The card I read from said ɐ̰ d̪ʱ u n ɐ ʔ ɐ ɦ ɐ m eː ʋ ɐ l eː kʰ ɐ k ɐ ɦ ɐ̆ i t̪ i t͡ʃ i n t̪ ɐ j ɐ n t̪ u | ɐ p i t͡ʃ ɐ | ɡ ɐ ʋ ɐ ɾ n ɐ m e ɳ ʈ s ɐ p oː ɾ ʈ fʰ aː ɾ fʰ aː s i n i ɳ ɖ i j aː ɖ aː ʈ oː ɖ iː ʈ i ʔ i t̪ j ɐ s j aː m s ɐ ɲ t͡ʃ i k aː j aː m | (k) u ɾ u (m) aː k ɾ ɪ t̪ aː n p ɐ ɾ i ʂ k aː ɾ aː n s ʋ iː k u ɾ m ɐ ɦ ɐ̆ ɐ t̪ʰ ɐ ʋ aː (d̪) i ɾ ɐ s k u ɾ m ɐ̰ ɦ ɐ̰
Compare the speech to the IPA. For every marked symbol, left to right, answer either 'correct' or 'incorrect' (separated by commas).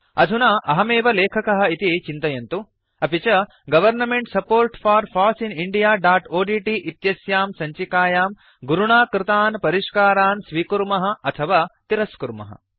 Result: incorrect, incorrect, incorrect